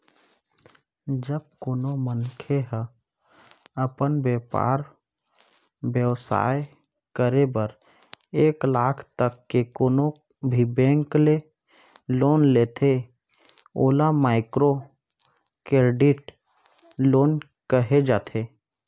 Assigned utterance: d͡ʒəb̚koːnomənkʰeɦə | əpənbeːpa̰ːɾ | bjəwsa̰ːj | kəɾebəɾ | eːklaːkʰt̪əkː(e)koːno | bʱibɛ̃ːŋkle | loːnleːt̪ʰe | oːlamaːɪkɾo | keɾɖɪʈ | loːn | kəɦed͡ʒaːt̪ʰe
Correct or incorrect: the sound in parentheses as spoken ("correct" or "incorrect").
correct